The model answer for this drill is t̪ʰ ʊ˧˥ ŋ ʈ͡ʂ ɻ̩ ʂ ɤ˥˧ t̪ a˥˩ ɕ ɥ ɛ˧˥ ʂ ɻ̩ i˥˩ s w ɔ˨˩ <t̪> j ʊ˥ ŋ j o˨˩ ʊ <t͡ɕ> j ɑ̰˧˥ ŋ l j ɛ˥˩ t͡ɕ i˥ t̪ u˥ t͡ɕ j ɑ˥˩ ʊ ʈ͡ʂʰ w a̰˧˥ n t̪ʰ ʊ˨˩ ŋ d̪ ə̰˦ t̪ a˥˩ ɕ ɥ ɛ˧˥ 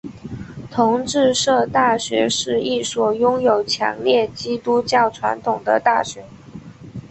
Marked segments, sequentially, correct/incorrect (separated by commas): incorrect, incorrect